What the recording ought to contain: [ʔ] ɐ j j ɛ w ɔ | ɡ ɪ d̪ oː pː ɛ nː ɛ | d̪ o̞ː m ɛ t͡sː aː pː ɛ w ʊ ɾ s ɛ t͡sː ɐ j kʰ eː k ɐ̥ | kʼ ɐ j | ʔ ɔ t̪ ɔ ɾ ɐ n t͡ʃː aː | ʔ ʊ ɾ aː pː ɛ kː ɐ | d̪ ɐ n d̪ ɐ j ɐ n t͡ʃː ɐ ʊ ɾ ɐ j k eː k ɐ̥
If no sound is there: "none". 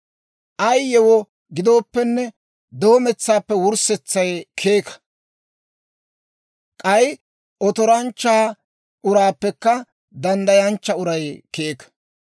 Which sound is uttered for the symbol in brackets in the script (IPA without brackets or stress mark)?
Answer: ʔ